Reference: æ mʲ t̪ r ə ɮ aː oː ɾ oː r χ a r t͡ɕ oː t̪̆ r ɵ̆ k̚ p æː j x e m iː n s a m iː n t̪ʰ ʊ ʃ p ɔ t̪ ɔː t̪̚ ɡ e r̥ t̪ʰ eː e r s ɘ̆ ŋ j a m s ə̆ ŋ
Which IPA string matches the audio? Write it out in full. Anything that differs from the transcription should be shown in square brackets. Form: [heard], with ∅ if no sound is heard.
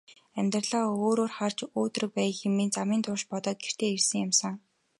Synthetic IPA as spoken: æ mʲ t̪ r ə ɮ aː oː ɾ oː r χ a r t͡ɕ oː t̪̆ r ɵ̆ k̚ p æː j x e m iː n [t͡s] a m iː n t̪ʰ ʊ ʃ p ɔ t̪ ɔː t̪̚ ɡ e r̥ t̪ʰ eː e r s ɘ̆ ŋ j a m s ə̆ ŋ